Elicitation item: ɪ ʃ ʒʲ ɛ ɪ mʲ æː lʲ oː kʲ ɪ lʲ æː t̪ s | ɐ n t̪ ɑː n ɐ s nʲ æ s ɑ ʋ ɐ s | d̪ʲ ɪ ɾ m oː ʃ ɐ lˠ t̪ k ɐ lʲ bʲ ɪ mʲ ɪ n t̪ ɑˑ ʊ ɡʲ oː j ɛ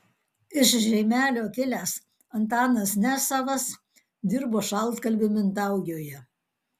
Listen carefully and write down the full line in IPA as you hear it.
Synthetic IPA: ɪ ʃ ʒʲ ɛ ɪ mʲ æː lʲ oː kʲ ɪ lʲ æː s | ɐ n t̪ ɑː n ɐ s nʲ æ s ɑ ʋ ɐ s | d̪ʲ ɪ ɾ b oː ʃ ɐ lˠ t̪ k ɐ lʲ bʲ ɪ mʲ ɪ n t̪ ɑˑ ʊ ɡʲ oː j ɛ